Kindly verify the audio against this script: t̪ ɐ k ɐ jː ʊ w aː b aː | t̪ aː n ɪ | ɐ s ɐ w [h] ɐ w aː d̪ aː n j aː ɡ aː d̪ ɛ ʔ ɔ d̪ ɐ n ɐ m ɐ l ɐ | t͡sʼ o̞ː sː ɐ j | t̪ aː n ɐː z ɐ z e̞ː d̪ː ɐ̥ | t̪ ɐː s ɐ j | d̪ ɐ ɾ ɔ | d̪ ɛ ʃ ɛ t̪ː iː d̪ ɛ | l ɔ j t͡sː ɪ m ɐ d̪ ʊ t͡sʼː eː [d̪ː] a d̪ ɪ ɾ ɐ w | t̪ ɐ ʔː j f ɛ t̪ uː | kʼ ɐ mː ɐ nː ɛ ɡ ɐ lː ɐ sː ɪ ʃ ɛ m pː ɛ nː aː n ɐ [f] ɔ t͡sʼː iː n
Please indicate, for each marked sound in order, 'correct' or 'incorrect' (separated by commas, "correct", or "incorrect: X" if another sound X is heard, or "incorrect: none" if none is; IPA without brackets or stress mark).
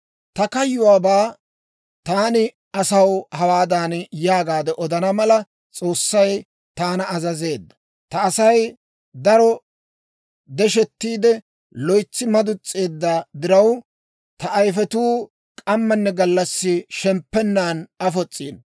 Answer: correct, correct, correct